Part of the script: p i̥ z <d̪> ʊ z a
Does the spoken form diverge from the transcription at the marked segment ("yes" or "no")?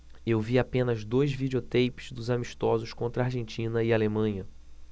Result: no